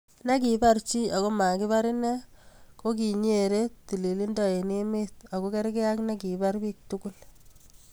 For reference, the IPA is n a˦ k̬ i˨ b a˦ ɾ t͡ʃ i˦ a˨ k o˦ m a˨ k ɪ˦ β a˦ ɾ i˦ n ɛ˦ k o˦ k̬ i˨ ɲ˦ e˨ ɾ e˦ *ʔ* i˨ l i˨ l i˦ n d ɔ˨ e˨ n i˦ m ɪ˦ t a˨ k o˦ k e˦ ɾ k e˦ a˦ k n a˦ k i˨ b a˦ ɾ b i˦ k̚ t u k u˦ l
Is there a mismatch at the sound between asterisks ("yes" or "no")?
yes